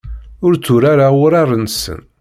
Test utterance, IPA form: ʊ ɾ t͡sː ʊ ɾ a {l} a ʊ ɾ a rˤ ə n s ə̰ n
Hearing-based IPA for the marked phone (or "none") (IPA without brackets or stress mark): ɾ